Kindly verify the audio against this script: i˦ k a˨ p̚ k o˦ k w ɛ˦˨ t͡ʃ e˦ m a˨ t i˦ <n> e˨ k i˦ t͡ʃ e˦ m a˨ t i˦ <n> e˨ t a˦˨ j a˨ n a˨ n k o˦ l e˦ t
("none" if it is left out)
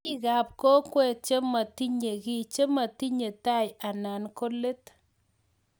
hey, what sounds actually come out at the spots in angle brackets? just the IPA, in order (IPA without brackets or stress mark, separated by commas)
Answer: ɲ, ɲ